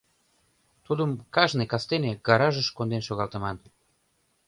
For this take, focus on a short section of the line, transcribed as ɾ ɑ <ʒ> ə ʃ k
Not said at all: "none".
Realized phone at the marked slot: ʒ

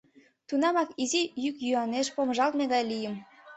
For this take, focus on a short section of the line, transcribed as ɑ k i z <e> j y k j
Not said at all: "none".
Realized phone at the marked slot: i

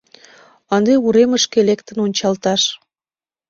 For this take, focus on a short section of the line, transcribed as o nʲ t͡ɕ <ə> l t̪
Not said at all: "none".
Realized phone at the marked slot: ɑ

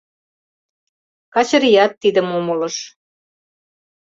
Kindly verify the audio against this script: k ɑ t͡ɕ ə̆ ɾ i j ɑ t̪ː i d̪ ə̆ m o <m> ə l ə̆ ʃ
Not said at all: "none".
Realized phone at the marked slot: m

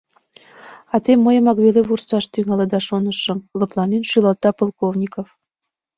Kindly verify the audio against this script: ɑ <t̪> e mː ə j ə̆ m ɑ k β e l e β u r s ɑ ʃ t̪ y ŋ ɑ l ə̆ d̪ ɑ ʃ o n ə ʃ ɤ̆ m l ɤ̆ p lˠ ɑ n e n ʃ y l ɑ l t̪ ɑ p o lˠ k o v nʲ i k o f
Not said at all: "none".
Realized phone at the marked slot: t̪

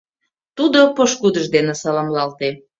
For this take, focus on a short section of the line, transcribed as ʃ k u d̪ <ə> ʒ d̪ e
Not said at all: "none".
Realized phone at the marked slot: ə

